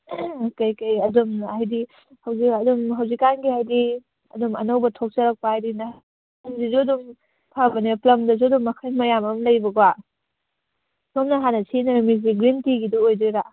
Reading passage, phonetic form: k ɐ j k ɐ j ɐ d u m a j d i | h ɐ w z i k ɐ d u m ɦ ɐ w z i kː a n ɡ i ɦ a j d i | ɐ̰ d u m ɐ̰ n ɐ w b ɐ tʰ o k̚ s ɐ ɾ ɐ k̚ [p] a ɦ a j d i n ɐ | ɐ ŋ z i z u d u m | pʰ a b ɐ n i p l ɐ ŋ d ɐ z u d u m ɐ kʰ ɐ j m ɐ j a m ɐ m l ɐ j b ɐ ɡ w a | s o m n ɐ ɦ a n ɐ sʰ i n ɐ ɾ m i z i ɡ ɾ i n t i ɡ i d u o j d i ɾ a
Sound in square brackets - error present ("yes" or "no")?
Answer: no